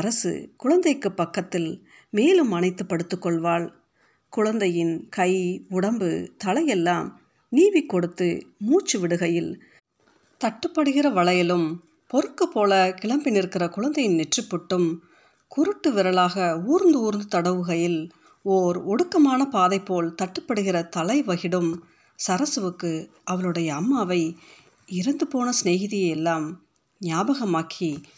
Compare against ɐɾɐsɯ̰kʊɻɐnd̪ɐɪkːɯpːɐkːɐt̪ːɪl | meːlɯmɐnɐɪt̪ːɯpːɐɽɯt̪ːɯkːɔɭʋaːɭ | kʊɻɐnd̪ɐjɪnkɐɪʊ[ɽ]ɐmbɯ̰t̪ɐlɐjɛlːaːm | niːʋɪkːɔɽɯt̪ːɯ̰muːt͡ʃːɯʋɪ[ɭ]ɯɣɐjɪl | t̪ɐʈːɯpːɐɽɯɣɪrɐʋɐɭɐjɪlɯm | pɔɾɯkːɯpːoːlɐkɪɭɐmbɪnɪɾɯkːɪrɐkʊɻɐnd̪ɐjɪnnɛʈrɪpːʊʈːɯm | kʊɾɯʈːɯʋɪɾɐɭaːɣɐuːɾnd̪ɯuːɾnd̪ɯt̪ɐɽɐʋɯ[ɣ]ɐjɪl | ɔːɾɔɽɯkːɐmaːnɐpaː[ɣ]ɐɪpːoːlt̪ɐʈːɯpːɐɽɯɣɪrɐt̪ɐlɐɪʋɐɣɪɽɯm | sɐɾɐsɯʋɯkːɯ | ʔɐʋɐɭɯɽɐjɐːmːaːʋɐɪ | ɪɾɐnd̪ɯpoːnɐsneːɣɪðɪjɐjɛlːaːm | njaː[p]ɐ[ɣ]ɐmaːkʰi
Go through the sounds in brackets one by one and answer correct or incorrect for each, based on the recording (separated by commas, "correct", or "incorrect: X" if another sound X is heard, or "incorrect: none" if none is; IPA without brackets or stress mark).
correct, incorrect: ɽ, correct, incorrect: ð, incorrect: b, correct